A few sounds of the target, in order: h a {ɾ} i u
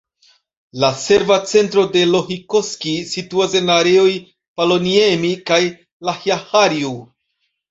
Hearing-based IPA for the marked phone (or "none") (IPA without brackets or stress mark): ɾ